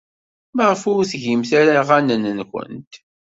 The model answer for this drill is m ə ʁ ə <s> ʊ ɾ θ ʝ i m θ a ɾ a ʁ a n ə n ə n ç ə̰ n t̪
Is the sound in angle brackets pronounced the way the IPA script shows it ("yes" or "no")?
no